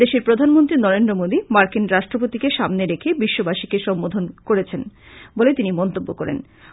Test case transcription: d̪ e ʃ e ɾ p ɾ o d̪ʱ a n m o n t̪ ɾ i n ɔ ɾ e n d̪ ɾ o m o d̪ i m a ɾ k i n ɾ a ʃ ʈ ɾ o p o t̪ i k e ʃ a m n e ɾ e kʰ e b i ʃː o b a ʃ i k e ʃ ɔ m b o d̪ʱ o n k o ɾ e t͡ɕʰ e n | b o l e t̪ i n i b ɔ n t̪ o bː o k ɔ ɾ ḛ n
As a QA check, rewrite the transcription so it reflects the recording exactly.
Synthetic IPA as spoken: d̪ e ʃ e ɾ p ɾ o d̪ʱ a n m o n t̪ ɾ i n ɔ ɾ e n d̪ ɾ o m o d̪ i m a ɾ k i n ɾ a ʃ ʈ ɾ o p o t̪ i k e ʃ a m n e ɾ e kʰ e b i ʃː o b a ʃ i k e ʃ ɔ m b o d̪ʱ o n k o ɾ e t͡ɕʰ e n | b o l e t̪ i n i m ɔ n t̪ o bː o k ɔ ɾ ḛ n